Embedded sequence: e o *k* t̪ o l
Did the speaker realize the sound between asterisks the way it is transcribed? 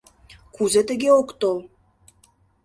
yes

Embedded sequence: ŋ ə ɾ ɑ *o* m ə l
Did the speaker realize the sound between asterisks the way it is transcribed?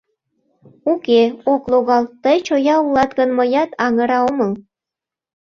yes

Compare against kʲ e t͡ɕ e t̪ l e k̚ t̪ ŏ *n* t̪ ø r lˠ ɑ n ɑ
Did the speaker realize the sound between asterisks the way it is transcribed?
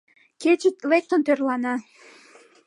yes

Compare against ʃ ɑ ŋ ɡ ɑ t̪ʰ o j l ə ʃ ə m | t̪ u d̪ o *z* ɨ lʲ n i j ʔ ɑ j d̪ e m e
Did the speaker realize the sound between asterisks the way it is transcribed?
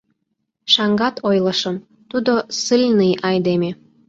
no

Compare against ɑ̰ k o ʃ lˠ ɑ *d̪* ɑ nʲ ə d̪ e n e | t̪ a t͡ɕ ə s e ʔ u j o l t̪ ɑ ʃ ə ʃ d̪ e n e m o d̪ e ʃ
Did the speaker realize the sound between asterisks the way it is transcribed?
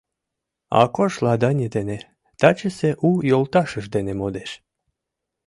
yes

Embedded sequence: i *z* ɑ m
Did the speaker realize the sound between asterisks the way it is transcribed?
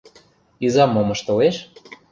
yes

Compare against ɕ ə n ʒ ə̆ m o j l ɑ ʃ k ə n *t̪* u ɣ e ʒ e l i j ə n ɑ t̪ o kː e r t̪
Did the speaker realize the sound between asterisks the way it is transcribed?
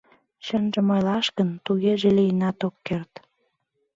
yes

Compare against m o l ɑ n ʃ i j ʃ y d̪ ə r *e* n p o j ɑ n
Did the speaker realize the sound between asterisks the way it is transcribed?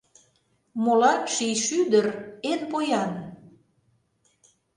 yes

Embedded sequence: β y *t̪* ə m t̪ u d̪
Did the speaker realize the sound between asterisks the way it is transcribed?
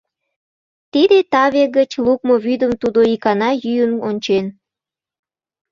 no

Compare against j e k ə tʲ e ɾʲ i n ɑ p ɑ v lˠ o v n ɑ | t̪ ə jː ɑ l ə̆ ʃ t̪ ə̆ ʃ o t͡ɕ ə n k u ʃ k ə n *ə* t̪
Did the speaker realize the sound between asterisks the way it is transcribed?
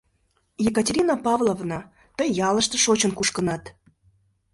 no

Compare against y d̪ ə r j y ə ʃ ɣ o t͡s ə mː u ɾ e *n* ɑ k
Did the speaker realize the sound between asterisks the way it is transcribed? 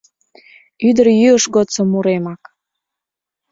no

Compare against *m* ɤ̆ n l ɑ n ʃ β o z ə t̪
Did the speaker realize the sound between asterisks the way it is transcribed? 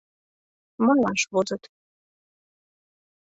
yes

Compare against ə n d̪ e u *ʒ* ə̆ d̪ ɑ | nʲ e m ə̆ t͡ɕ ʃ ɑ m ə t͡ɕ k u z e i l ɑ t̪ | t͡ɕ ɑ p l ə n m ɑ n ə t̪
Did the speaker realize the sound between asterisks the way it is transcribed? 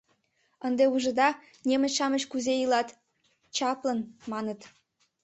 yes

